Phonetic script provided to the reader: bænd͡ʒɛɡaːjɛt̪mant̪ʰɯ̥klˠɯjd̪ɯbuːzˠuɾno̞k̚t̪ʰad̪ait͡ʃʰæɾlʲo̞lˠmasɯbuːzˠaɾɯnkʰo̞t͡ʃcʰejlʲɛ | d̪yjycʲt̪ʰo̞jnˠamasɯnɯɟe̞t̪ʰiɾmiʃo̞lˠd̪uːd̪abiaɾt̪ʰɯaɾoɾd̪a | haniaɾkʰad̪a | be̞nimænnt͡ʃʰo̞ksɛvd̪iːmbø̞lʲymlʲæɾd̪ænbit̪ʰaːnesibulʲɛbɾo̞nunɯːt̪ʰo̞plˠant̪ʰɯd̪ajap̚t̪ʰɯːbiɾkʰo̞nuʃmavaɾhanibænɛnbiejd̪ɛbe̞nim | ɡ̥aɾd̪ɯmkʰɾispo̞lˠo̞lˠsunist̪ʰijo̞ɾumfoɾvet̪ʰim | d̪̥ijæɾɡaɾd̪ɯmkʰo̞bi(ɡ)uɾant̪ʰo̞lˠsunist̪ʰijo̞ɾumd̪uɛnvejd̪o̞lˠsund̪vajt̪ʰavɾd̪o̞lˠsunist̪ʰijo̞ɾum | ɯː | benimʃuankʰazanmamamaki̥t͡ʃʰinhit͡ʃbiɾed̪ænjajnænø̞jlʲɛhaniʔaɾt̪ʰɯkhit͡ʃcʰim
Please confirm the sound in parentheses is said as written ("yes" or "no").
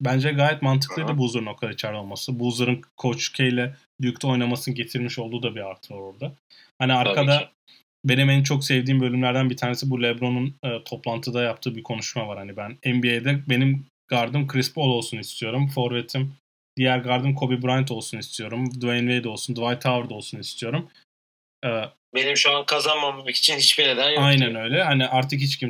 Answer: no